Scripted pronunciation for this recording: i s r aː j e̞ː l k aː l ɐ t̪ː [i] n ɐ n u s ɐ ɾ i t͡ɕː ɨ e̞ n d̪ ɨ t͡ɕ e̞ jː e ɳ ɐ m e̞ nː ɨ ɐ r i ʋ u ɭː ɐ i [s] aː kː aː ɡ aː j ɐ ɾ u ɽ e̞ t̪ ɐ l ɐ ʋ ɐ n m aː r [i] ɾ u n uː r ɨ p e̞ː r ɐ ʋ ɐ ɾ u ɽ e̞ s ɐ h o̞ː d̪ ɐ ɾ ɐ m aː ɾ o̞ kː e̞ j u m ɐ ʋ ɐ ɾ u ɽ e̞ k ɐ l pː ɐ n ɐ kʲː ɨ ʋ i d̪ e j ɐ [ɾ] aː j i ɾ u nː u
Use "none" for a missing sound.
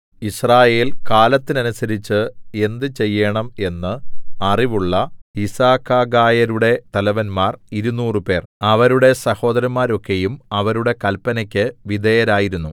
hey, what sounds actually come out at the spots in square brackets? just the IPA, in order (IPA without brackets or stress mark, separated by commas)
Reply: i, s, i, ɾ